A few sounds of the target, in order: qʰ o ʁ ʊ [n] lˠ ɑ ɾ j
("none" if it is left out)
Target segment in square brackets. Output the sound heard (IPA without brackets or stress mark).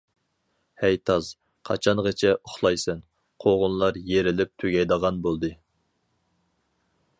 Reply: n